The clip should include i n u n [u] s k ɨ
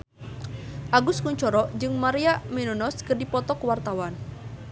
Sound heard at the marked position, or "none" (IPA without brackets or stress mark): ɔ